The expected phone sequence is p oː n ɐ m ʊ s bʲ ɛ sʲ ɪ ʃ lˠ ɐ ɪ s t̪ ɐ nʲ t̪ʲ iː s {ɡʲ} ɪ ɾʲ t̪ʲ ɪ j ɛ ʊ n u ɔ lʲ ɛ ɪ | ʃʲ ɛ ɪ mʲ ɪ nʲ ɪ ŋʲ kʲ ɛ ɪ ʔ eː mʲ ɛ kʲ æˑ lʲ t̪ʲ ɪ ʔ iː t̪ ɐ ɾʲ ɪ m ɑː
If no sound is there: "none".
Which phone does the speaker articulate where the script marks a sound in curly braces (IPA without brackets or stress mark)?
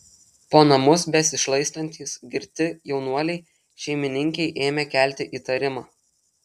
ɡʲ